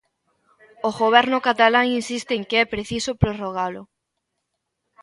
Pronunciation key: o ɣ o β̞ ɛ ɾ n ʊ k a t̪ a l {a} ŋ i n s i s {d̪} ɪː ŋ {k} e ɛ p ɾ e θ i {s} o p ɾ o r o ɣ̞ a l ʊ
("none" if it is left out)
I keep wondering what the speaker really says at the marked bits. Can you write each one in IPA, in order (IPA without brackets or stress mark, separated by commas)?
a, t̪, k, s